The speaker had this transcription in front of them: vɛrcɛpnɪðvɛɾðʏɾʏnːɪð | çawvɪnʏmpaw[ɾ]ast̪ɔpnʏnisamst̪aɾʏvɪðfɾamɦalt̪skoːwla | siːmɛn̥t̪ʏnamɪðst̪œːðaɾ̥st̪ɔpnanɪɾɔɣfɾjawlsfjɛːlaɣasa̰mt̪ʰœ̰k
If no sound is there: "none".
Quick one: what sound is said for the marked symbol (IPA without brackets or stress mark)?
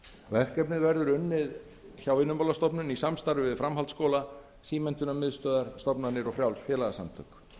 l